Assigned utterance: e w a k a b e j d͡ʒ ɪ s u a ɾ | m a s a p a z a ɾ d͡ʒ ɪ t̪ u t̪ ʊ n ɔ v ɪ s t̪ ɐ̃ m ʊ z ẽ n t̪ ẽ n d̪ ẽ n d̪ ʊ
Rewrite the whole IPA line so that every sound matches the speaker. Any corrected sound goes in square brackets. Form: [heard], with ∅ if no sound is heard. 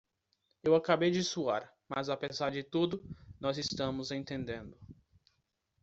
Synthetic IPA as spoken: e w a k a b e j d͡ʒ ɪ s u a ɾ | m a [z] a p [e] z a ɾ d͡ʒ ɪ t̪ u [d̪] ʊ n ɔ [z] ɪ s t̪ ɐ̃ m ʊ z ẽ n t̪ ẽ n d̪ ẽ n d̪ ʊ